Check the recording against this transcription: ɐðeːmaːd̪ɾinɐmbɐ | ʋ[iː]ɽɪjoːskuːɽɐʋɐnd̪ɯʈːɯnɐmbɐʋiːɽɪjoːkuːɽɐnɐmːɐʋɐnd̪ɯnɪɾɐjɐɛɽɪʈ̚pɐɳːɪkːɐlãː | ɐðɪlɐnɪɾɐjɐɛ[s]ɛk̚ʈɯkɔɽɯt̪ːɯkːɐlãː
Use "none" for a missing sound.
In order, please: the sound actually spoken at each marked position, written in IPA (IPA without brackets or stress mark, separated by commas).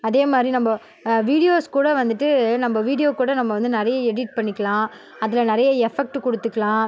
iː, f